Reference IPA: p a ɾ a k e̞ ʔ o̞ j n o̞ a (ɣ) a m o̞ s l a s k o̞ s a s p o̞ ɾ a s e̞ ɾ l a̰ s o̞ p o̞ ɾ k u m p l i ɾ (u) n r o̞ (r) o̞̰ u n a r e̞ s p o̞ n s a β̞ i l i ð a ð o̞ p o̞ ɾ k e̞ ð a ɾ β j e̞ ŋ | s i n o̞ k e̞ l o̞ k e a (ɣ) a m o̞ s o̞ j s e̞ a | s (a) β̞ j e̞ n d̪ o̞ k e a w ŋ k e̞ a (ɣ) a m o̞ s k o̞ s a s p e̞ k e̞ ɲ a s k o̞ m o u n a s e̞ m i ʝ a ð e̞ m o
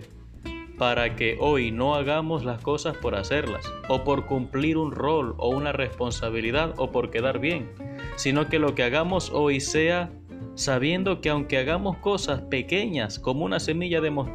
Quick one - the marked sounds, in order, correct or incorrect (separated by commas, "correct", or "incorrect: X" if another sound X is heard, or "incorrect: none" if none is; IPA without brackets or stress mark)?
correct, correct, incorrect: l, correct, correct, correct